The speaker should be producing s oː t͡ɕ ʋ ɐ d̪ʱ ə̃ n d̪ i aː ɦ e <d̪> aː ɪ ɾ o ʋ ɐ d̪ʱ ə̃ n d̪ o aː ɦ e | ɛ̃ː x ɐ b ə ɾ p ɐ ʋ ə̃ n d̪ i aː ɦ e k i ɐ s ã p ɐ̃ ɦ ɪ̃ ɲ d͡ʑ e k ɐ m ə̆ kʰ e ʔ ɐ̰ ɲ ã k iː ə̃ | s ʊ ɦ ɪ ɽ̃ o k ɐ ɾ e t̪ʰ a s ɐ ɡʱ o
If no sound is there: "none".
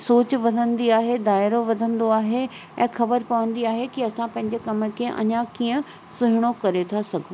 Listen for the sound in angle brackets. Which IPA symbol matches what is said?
d̪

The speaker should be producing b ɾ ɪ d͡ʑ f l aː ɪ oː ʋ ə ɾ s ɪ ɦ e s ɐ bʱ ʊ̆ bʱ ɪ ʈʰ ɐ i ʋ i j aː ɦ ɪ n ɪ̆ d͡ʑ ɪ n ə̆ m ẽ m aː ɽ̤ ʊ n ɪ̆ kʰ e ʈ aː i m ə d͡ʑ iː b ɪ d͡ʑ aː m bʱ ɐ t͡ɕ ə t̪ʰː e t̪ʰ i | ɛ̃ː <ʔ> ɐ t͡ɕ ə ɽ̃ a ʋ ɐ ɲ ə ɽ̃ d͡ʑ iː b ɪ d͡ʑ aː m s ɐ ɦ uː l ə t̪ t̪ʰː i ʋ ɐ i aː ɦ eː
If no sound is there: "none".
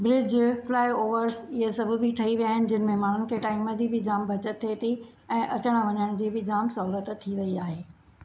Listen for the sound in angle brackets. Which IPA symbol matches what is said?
ʔ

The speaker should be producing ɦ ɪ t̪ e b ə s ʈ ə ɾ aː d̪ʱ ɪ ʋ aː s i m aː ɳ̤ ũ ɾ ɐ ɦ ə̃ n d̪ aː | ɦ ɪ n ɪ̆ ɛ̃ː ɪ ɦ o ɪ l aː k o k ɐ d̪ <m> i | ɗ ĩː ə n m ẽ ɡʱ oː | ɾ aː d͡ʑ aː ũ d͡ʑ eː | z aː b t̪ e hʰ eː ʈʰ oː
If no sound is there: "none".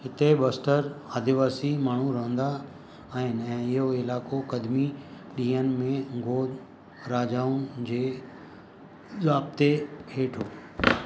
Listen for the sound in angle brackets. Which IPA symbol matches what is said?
m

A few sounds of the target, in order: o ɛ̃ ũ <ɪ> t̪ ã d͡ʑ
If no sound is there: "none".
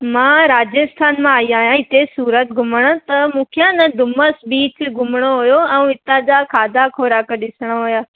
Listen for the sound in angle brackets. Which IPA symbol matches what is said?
ɪ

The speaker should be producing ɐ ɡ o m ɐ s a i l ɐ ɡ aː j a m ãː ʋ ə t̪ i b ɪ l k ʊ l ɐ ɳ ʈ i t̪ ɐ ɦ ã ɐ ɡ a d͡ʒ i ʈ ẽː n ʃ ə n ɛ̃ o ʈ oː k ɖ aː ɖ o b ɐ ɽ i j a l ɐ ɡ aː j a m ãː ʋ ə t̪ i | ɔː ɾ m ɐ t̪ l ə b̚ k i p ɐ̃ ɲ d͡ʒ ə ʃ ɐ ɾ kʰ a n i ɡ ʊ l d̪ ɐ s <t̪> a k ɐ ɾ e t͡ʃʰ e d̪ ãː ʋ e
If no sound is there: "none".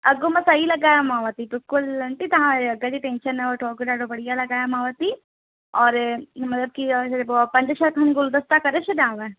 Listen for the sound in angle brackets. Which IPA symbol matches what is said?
t̪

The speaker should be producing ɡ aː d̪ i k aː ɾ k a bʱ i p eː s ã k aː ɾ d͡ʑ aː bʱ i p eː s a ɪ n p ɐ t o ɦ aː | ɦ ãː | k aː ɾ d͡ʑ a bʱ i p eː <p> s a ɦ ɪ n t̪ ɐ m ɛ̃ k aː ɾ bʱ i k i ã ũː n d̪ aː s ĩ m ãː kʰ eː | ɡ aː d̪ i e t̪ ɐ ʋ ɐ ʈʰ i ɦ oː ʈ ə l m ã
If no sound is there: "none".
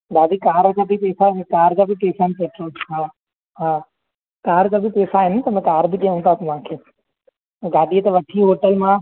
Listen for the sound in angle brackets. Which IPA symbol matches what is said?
none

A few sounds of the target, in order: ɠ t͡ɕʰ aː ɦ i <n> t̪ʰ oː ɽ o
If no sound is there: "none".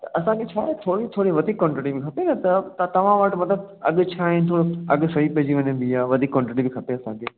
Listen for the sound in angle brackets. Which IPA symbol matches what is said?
n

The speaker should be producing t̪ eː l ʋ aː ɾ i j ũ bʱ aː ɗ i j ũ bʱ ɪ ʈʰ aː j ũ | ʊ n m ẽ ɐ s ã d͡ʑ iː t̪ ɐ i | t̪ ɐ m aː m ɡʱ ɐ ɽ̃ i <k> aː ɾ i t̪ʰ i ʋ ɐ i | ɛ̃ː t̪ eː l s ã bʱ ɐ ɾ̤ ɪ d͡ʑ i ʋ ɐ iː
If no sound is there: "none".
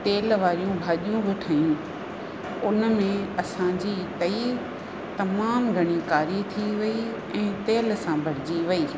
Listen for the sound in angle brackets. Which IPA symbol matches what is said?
k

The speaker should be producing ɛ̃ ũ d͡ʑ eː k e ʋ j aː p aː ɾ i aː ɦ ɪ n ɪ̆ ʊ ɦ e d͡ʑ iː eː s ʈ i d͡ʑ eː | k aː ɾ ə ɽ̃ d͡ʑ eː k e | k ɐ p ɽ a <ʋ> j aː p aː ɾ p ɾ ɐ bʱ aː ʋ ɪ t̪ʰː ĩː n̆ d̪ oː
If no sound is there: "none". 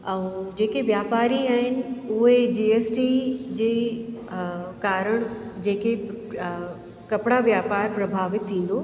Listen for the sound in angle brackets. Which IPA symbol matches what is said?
ʋ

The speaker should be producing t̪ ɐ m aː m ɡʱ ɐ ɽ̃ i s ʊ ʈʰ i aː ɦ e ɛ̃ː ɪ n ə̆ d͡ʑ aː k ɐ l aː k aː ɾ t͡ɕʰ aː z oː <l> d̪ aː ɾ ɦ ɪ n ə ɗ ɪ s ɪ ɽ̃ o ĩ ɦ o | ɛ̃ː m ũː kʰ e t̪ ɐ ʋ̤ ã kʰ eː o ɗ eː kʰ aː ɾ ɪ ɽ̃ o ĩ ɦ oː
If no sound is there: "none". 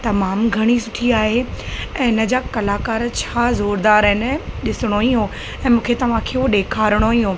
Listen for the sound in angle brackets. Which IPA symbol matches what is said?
ɾ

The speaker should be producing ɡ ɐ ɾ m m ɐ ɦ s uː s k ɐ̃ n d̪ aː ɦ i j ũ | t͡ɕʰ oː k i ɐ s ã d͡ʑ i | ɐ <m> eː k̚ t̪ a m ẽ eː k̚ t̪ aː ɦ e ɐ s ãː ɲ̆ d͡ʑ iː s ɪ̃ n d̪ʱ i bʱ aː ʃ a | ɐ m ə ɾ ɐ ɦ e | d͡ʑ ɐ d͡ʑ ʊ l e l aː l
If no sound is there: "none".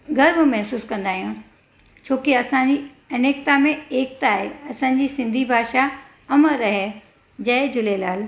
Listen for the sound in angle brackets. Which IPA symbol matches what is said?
n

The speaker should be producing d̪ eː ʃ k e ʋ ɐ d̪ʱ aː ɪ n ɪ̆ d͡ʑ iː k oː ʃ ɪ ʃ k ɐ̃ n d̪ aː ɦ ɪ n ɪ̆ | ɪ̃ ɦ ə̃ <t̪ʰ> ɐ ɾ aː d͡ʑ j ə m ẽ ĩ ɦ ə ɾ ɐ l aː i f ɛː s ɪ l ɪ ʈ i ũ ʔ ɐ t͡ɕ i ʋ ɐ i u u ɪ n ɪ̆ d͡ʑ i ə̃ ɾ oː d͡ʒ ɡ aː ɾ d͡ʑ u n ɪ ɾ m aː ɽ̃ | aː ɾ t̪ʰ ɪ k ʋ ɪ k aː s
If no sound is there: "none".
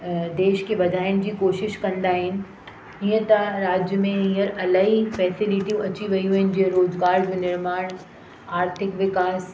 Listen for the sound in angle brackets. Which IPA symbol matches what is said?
t̪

